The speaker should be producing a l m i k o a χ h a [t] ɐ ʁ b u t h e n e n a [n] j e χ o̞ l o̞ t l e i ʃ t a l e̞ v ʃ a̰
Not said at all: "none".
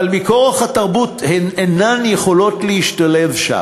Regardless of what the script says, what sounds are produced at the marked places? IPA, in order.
t, n

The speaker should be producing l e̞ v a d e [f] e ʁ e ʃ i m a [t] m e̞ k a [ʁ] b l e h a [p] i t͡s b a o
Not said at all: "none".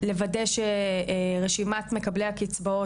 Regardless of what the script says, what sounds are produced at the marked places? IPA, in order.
ʃ, t, none, k

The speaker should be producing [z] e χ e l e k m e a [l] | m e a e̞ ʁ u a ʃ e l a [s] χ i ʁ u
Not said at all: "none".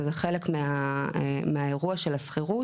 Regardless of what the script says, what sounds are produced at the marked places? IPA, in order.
z, none, s

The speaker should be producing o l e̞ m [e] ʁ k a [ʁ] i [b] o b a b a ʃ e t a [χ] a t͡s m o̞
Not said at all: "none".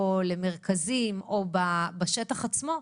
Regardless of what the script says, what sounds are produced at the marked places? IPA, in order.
e, z, m, χ

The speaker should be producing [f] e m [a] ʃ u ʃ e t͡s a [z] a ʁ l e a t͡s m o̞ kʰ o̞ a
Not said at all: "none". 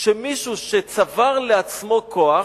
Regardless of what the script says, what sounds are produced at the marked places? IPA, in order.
ʃ, i, v

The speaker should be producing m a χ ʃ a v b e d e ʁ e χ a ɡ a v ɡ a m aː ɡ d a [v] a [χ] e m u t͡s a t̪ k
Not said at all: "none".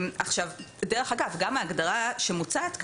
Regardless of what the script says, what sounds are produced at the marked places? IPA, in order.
ʁ, ʃ

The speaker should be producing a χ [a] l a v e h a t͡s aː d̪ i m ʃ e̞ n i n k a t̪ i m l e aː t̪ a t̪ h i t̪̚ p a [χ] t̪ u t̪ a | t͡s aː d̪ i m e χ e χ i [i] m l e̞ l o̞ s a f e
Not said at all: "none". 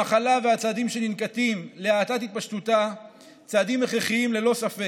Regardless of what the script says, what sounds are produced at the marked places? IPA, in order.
a, ʃ, i

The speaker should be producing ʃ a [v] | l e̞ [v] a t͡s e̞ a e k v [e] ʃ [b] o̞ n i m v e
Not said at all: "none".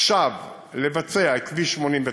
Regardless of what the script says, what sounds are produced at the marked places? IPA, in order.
v, v, i, m

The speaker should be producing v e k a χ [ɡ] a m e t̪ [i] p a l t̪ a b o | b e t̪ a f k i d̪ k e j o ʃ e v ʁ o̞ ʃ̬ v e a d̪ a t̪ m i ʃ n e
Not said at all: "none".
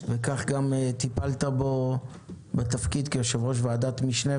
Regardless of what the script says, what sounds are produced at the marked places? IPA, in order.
ɡ, i

